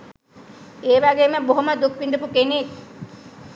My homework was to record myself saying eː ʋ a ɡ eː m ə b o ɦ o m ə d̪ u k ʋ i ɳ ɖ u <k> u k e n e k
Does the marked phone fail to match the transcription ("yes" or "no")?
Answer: yes